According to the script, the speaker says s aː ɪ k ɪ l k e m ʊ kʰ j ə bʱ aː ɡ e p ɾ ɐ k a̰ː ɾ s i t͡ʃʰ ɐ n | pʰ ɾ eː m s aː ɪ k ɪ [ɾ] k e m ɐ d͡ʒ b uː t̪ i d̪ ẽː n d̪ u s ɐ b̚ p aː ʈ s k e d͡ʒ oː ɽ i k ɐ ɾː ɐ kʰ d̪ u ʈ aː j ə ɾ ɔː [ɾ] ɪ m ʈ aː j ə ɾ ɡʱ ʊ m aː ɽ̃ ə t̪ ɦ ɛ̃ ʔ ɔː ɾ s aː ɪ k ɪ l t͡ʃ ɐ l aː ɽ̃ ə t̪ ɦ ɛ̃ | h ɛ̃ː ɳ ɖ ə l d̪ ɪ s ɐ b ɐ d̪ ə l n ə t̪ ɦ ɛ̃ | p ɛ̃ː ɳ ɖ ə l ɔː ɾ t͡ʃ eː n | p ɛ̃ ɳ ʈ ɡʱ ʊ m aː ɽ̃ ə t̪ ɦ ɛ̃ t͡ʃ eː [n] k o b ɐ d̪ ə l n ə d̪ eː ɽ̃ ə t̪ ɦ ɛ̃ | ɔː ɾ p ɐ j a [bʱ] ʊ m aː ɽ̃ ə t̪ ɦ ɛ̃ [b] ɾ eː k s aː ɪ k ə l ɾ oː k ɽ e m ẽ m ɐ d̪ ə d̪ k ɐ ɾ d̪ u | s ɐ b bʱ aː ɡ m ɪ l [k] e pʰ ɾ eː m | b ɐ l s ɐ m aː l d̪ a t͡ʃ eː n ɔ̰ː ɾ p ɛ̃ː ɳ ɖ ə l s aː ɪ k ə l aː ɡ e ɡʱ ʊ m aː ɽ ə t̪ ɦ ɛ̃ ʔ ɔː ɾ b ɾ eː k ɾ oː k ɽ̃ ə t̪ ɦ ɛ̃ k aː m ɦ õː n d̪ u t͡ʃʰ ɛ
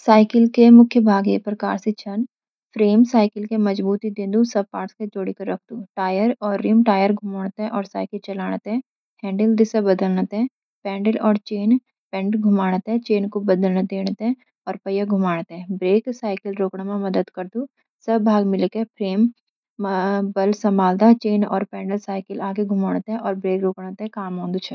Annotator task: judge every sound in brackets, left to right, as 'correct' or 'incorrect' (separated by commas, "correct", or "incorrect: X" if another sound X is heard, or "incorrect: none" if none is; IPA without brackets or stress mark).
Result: incorrect: l, incorrect: ɾː, correct, incorrect: ɡʱ, correct, correct